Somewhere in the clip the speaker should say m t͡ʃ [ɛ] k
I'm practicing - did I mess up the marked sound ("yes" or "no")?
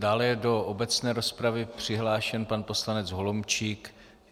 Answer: yes